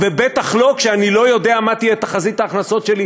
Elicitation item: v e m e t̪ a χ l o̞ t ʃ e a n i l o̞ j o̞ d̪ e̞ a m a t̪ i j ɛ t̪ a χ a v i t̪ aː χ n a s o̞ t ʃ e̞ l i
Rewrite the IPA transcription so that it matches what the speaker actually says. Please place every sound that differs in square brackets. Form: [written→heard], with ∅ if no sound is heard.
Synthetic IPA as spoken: v e [m→b] e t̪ a χ l o̞ [t→k] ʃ e a n i l o̞ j o̞ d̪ e̞ a m a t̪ i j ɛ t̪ a χ a [v→z] i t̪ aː χ n a s o̞ t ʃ e̞ l i